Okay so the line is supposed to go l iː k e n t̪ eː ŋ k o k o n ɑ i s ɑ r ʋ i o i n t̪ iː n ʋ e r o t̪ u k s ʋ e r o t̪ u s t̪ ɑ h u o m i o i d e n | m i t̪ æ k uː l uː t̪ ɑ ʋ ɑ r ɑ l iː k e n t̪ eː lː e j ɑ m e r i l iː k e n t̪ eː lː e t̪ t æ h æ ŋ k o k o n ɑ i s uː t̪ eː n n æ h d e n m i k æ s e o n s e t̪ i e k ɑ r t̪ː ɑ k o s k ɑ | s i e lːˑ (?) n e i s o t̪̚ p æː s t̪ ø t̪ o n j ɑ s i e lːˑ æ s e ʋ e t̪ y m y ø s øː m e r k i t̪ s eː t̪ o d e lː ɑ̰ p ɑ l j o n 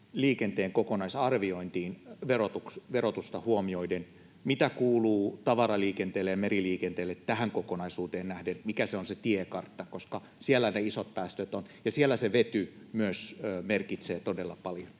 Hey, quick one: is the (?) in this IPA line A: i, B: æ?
B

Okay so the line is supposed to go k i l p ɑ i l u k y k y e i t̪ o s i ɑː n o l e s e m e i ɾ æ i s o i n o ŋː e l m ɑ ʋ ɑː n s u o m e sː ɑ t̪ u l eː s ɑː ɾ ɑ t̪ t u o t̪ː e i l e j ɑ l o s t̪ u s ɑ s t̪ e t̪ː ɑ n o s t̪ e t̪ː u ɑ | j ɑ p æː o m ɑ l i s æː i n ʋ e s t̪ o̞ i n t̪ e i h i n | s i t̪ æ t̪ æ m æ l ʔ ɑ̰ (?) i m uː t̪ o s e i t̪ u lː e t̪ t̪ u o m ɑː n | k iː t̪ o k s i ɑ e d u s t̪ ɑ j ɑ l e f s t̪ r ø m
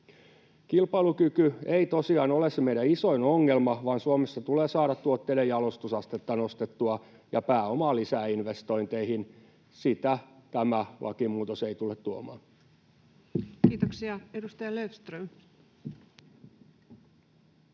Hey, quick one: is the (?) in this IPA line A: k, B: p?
A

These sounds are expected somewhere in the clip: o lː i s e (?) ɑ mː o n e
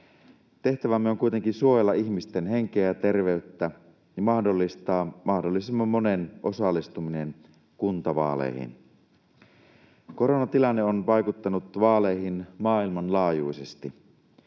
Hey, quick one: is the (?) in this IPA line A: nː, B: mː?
B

